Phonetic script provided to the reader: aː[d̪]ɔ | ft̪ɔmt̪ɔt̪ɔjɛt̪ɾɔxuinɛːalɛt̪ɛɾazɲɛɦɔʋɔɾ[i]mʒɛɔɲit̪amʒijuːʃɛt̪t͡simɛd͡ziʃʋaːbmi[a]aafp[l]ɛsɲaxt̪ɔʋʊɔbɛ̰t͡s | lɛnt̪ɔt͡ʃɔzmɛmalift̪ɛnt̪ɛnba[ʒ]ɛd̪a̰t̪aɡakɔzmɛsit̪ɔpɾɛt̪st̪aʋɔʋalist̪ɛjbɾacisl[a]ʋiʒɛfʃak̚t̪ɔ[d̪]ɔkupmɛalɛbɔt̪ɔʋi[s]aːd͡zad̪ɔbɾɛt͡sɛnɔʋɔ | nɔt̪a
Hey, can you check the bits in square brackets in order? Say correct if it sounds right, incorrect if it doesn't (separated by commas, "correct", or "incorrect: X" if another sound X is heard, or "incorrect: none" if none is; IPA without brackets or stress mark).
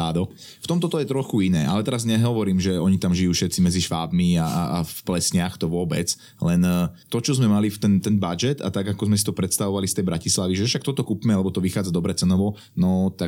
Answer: correct, incorrect: iː, correct, correct, incorrect: d͡ʒ, correct, incorrect: t̪, incorrect: x